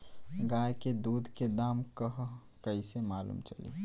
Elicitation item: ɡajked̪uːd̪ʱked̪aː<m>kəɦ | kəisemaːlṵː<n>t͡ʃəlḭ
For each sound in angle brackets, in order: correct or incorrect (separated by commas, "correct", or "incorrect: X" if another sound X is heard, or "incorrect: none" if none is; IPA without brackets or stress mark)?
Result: correct, incorrect: m